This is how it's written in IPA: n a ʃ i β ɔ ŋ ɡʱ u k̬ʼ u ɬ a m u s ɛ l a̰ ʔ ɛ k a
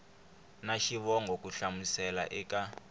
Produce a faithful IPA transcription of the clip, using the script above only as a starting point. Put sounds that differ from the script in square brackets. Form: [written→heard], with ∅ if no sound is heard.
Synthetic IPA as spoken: n a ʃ i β ɔ ŋ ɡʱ [u→o] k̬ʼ u ɬ a m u s ɛ l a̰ ʔ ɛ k a

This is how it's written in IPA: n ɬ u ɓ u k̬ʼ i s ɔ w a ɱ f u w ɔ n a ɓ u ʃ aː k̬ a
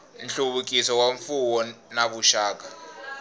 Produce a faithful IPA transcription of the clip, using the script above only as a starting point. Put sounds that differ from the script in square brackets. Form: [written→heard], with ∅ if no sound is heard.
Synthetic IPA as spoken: n ɬ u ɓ u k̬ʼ i s ɔ w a ɱ f u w ɔ n a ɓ u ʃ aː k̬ a

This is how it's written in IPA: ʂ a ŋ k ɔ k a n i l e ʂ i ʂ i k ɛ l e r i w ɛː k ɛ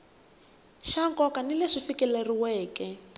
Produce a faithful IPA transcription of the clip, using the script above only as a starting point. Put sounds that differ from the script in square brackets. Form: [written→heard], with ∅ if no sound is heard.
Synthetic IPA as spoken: [ʂ→ʃ] a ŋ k ɔ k a n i l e ʂ i [ʂ→f] i k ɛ l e r i w ɛː k ɛ

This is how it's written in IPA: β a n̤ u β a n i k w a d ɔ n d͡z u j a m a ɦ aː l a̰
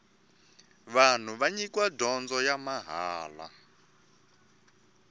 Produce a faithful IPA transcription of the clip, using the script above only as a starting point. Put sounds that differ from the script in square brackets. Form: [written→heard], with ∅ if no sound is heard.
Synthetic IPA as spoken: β a n̤ u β a [n→ɲ] i k w a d ɔ n d͡z [u→ɔ] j a m a ɦ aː l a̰

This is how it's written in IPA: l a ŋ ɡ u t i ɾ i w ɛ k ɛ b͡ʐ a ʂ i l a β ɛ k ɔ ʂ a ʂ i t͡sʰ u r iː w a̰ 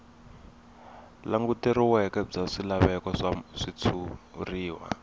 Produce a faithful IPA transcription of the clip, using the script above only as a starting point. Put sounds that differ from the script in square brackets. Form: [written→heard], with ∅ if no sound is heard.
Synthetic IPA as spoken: l a ŋ ɡ u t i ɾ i w ɛ k ɛ b͡ʐ a ʂ i l a β ɛ k ɔ ʂ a ʂ i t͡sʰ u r iː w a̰

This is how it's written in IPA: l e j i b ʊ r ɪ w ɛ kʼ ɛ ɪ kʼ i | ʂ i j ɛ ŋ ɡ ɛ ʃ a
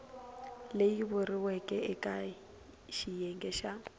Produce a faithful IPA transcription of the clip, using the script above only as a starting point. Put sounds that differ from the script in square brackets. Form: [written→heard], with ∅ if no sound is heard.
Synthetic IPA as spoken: l e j i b ʊ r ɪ w ɛ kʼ ɛ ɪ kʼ [i→a] | [ʂ→ʃ] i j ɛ ŋ ɡ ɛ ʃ a

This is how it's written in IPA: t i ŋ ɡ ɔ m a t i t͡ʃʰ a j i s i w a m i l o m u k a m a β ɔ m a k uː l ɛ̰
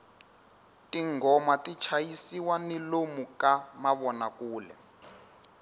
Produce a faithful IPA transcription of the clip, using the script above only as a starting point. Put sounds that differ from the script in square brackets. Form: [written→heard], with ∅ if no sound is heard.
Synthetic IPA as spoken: t i ŋ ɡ ɔ m a t i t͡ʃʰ a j i s i w a [m→n] i l o m u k a m a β ɔ [m→n] a k uː l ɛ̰

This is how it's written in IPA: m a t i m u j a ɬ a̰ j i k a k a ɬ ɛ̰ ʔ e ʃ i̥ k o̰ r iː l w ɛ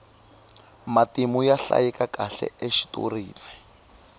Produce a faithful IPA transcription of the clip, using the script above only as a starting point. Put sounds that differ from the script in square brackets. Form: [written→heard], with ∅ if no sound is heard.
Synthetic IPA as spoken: m a t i m u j a ɬ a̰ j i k a k a ɬ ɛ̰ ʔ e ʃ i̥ [k→t] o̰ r iː l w ɛ

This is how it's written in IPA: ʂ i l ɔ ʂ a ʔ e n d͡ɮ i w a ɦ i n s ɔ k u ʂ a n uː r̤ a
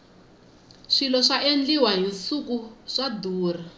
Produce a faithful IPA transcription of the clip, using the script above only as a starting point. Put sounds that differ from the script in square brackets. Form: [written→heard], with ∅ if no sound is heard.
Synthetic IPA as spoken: ʂ i l ɔ ʂ a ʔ e n d͡ɮ i w a ɦ i n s [ɔ→u] k u ʂ a [n→d] uː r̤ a

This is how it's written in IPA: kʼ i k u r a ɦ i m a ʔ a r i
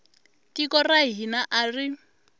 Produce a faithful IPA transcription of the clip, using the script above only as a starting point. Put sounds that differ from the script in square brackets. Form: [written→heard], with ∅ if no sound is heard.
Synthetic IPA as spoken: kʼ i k [u→ɔ] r a ɦ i [m→n] a ʔ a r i

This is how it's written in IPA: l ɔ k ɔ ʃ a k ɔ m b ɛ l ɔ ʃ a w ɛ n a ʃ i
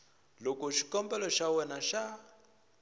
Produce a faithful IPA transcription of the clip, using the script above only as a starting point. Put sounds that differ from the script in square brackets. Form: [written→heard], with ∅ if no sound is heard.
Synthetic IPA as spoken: l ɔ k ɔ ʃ [a→i] k ɔ m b ɛ l ɔ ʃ a w ɛ n a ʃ [i→a]

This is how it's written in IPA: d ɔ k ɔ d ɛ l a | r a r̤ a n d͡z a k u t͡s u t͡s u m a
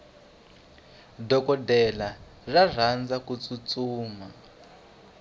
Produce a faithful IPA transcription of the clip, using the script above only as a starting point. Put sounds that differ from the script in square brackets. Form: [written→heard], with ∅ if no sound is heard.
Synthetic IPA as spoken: d ɔ k ɔ d ɛ l a | r a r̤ a n d͡z a k u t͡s u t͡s [u→uː] m a

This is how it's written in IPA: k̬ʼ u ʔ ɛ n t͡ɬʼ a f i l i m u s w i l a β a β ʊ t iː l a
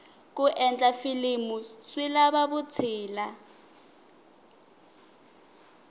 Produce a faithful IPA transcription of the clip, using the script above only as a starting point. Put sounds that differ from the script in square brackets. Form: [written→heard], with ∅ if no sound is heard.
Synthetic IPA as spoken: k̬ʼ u ʔ ɛ n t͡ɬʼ a f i l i m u s w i l a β a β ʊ [t→t͡sʰ] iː l a

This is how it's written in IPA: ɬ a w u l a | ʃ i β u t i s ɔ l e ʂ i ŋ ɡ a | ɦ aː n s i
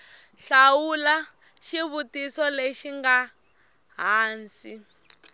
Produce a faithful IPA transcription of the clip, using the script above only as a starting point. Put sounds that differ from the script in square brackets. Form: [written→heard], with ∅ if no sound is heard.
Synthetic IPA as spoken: ɬ a w u l a | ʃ i β u t i s ɔ l e [ʂ→ʃ] i ŋ ɡ a | ɦ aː n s i

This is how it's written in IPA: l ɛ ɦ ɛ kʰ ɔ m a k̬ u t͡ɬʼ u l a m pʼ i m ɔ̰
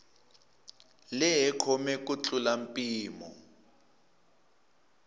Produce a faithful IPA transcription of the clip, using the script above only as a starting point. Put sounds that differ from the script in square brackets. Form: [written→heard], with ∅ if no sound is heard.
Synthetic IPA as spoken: l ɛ ɦ ɛ kʰ ɔ m [a→ɛ] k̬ u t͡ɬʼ u l a m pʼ [i→iː] m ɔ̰

